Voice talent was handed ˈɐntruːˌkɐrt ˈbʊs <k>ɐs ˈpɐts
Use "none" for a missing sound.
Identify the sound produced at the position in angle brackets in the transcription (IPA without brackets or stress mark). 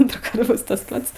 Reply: t